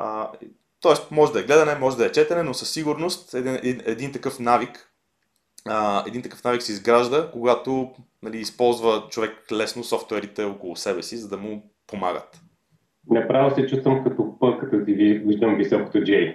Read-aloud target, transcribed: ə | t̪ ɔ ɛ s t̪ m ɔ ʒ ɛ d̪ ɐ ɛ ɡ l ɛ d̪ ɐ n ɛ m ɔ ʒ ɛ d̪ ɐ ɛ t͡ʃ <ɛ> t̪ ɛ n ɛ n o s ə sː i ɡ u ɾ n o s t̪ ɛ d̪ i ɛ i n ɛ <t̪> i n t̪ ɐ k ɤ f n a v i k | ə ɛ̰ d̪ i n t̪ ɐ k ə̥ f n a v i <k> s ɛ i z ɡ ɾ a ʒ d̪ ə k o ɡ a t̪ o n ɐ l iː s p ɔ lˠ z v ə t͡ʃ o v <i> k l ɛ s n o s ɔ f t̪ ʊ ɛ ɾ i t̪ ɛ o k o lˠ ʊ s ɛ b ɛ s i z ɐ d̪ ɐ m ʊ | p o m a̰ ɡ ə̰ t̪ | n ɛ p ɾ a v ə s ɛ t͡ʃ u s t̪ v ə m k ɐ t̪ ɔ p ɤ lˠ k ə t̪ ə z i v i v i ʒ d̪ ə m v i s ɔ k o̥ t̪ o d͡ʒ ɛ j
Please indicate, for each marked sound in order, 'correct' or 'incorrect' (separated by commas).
correct, incorrect, correct, incorrect